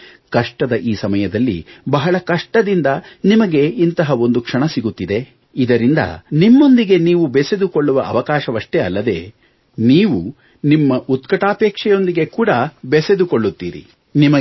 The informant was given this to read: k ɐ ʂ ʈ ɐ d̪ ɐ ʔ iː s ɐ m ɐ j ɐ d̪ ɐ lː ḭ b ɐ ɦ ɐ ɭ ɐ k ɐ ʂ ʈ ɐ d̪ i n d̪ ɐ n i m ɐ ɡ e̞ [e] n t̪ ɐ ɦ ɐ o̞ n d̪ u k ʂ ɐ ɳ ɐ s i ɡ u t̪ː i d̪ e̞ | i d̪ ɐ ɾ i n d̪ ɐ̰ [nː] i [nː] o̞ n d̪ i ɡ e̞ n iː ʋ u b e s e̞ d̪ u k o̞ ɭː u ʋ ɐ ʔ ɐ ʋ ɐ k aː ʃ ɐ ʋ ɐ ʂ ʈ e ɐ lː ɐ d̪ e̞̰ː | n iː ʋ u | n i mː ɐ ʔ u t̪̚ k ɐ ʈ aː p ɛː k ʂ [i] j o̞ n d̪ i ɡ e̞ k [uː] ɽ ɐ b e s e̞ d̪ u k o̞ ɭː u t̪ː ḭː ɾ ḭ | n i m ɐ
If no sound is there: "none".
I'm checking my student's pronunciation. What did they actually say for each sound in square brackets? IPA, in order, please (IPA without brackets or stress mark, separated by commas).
i, n, mː, ɛ, uː